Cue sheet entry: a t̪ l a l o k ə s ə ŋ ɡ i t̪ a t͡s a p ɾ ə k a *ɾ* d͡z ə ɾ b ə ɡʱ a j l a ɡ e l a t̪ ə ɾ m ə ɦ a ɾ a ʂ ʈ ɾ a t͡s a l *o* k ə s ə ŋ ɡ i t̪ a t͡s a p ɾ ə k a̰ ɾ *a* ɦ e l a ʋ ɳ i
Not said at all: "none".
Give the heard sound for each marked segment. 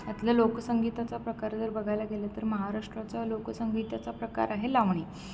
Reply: ɾ, o, a

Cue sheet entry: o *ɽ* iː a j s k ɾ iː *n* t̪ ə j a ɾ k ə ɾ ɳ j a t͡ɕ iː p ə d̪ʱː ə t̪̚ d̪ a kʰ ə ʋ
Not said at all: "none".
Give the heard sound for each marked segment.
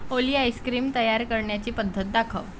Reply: l, m

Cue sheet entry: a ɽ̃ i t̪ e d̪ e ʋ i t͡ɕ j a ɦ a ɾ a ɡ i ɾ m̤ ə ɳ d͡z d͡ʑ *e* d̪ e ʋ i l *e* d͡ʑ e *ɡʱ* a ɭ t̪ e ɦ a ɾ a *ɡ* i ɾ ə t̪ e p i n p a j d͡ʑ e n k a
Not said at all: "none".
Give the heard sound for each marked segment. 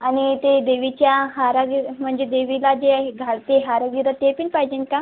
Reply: e, a, ɡʱ, ɡ

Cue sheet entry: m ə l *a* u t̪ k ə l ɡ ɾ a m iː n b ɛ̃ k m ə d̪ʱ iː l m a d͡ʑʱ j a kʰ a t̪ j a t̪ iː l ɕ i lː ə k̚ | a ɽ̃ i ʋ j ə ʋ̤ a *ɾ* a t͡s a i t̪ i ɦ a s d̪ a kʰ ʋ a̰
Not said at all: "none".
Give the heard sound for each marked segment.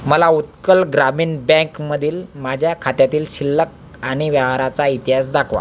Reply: a, ɾ

